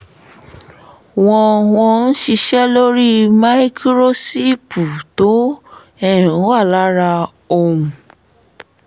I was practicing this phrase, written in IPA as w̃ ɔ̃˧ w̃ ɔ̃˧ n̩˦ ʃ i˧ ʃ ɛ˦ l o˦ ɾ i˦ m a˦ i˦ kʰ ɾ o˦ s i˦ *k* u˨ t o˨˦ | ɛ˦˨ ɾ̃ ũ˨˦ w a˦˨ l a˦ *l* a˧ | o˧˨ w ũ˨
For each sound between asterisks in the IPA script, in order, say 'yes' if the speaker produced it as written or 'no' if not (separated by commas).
no, no